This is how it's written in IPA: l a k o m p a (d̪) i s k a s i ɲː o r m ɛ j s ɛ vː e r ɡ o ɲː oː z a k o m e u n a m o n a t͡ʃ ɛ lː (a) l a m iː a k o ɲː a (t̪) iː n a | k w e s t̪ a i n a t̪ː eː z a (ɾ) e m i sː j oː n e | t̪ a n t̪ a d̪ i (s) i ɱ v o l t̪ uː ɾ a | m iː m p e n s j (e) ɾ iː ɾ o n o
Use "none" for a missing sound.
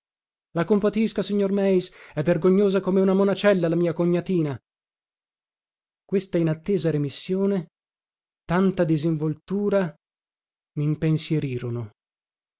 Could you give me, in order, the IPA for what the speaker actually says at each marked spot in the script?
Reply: t̪, a, t̪, ɾ, z, e

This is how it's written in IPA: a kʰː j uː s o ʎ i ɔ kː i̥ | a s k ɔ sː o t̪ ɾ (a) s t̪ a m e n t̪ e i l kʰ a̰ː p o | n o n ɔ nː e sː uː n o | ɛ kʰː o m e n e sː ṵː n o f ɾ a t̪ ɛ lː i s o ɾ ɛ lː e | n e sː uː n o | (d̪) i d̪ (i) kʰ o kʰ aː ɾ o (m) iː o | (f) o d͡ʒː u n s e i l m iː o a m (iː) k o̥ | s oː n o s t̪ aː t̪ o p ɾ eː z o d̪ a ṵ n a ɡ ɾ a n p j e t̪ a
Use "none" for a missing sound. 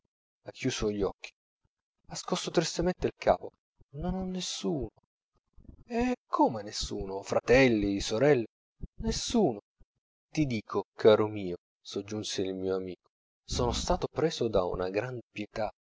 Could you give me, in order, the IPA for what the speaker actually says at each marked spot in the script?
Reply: i, t̪, iː, m, s, iː

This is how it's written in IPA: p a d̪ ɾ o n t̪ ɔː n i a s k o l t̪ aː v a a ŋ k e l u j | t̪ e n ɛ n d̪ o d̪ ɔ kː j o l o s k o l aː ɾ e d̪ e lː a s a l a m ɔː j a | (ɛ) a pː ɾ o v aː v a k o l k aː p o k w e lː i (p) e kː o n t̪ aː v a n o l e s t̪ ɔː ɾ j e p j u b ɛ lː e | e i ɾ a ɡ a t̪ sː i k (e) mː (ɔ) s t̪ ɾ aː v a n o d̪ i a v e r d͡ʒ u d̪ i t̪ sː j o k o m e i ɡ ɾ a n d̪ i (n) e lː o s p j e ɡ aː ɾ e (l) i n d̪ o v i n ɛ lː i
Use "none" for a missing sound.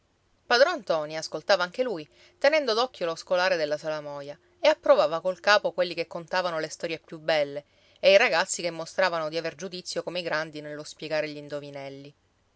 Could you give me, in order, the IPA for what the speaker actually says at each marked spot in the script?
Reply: e, k, e, o, n, ʎ

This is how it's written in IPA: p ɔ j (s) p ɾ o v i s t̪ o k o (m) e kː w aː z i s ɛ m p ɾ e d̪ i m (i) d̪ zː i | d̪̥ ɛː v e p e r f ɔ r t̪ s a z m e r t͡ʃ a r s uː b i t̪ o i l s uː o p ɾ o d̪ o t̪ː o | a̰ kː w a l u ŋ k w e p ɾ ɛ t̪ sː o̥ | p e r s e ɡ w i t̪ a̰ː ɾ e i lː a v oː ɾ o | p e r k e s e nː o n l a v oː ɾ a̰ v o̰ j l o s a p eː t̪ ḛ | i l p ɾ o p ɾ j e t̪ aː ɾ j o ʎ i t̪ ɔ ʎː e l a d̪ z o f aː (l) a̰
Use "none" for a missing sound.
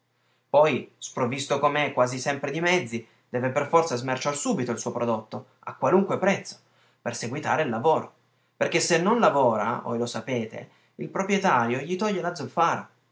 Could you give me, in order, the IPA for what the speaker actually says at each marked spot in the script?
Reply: s, m, ɛ, ɾ

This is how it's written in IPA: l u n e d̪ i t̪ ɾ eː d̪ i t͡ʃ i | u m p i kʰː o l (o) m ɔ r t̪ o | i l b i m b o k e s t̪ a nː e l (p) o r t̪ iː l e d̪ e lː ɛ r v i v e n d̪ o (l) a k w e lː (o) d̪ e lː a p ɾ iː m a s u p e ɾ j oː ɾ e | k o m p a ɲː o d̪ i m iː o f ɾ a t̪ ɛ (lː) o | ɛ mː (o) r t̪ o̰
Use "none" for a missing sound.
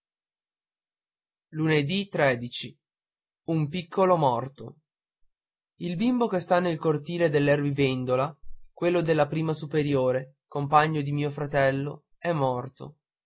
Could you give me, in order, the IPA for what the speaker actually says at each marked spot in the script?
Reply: o, k, l, o, lː, ɔ

